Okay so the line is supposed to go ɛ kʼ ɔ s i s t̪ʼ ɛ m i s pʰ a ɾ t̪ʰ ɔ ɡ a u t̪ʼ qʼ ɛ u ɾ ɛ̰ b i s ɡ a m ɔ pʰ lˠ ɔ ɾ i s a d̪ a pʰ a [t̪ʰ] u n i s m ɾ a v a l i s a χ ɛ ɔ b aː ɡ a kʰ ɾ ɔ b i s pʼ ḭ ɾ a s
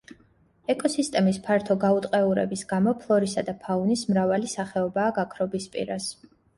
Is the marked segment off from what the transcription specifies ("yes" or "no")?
yes